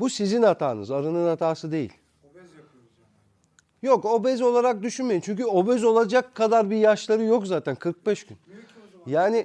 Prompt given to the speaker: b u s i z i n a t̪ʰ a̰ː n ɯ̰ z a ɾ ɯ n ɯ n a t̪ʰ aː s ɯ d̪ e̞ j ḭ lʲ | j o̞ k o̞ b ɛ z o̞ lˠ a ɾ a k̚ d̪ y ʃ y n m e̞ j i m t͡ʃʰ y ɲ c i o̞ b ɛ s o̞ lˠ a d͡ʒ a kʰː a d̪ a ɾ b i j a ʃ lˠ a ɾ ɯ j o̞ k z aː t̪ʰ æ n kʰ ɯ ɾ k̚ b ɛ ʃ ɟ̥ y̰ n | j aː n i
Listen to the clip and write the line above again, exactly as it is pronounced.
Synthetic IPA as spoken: b u s i z i n a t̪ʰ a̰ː n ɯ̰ z a ɾ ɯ n ɯ n a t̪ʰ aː s ɯ d̪ e̞ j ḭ lʲ | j o̞ k o̞ b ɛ z o̞ lˠ a ɾ a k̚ d̪ y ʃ y n m e̞ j i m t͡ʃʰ y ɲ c y o̞ b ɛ z o̞ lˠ a d͡ʒ a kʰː a d̪ a ɾ b i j a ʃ lˠ a ɾ ɯ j o̞ k z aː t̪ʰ æ n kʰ ɯ ɾ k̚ b ɛ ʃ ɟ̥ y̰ n | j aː n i